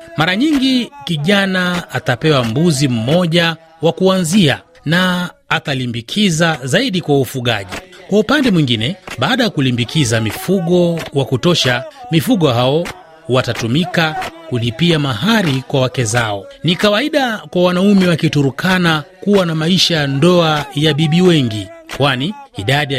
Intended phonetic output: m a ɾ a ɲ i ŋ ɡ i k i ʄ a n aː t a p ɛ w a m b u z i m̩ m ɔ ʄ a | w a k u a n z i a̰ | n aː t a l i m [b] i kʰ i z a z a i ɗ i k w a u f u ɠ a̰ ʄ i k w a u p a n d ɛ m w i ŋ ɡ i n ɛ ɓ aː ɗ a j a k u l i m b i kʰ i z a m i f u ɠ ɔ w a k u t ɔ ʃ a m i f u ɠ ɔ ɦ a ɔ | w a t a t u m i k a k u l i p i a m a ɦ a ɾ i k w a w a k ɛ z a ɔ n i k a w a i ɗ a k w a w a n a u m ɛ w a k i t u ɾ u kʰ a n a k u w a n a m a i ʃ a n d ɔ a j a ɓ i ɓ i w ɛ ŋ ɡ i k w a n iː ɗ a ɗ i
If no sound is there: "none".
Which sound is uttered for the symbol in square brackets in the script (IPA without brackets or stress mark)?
b